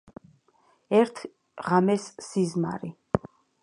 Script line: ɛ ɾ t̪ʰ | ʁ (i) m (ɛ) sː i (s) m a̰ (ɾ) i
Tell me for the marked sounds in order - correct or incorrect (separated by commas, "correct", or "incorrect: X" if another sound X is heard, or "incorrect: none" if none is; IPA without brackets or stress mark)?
incorrect: a, correct, incorrect: z, correct